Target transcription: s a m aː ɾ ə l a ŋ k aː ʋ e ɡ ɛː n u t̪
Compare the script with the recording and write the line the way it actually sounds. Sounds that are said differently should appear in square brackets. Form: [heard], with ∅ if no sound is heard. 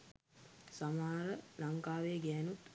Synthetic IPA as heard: s a m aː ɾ ə l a ŋ k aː ʋ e ɡ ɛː n u t̪